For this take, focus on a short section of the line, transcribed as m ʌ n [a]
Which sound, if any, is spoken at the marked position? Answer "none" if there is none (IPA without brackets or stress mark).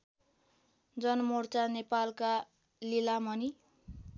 i